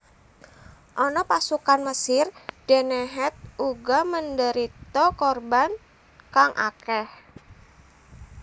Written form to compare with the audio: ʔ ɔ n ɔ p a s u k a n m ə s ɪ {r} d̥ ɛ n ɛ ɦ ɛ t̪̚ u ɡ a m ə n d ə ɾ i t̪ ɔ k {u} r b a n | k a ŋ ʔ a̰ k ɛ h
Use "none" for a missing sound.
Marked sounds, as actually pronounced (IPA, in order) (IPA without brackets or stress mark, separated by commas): r, ɔ